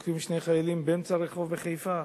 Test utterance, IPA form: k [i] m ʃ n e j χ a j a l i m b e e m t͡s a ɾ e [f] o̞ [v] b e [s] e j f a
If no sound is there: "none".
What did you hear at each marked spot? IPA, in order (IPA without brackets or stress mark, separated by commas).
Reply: i, χ, v, χ